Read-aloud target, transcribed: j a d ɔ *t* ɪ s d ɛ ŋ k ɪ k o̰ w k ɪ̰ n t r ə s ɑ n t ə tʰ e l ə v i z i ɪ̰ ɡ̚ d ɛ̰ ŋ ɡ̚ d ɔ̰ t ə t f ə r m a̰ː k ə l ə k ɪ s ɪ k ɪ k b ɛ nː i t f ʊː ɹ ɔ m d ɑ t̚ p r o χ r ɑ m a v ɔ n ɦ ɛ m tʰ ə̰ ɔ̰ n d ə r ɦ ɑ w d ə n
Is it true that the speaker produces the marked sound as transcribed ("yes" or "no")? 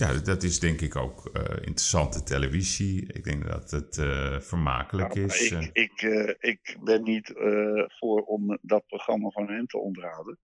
yes